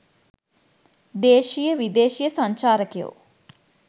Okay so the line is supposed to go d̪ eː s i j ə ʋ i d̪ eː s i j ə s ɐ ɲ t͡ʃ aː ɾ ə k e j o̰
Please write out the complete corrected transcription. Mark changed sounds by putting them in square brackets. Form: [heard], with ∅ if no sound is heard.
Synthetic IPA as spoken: d̪ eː [ʃ] i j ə ʋ i d̪ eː [ʃ] i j ə s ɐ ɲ t͡ʃ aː ɾ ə k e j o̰